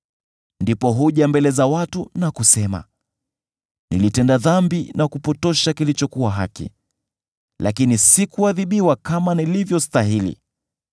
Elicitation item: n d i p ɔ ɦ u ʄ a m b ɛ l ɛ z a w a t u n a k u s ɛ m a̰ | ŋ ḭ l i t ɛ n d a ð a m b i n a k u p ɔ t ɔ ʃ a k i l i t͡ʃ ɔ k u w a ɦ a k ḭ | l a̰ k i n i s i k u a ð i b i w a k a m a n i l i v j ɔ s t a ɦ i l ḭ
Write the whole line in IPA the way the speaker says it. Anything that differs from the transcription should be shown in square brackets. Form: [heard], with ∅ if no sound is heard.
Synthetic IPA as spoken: n d i p ɔ ɦ u ʄ a m b ɛ l ɛ z a w a t u n a k u s ɛ m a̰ | [n] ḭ l i t ɛ n d a ð a m b i n a k u p ɔ t ɔ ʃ a k i l i t͡ʃ ɔ k u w a ɦ a k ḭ | l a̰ k i n i s i k u a ð i [ɓ] i w a k a m a n i l i v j ɔ s t a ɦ i l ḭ